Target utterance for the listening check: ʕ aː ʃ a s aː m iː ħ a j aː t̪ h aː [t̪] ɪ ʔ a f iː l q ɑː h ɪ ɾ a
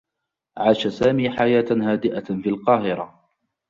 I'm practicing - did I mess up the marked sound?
yes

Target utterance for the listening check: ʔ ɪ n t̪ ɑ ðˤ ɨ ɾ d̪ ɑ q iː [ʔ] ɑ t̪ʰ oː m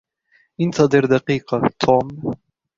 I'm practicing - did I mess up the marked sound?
yes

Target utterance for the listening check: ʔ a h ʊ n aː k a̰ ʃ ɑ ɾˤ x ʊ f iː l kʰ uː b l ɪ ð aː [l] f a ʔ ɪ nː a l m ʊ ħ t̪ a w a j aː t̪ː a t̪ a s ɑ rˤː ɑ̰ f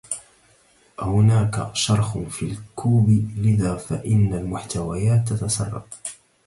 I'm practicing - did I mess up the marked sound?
yes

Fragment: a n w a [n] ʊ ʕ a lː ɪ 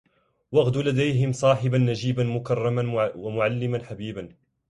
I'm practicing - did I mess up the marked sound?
yes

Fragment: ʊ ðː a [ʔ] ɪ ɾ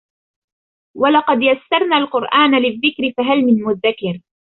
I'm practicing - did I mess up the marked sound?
yes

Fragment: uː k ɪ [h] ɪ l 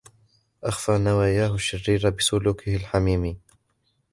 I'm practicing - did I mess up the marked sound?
no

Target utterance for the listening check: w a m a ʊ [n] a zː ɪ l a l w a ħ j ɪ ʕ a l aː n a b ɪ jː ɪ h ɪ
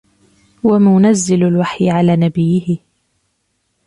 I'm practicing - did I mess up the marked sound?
no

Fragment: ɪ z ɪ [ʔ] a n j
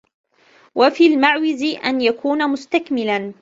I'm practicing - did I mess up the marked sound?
no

